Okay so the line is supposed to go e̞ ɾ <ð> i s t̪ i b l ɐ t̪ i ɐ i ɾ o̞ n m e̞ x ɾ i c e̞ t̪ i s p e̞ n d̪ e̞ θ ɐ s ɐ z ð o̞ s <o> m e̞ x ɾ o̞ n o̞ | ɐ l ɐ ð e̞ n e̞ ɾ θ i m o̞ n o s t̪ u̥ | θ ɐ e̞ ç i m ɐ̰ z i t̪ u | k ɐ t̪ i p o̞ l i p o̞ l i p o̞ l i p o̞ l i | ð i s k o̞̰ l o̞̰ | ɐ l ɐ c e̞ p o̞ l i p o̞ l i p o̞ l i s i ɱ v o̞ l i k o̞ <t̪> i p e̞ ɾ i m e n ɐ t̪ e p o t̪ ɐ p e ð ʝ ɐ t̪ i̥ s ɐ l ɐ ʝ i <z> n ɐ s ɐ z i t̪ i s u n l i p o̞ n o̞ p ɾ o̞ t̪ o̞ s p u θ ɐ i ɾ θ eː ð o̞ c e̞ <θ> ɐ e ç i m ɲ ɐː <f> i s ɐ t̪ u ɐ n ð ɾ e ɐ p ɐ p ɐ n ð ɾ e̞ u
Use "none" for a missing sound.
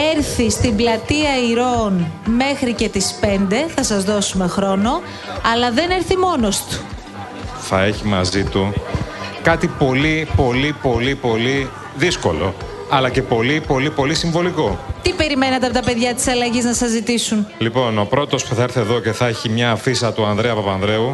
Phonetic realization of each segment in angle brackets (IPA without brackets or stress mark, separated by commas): θ, u, t̪, z, θ, f